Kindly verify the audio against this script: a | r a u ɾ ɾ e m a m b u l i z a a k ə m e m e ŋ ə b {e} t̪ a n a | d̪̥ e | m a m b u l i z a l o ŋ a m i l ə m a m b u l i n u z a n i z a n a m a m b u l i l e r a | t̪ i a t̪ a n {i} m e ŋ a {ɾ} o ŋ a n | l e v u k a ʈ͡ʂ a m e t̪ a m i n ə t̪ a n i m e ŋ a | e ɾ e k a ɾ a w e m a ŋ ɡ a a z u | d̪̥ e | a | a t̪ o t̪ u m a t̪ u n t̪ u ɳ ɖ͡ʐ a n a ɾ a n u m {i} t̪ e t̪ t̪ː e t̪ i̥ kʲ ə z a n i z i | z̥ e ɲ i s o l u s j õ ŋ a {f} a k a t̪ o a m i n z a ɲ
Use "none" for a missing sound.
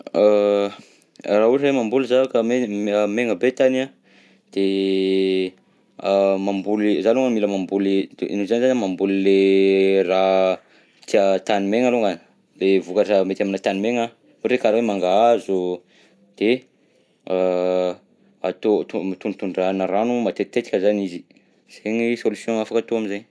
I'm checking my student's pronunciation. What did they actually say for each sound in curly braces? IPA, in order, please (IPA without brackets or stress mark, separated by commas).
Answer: e, i, l, a, f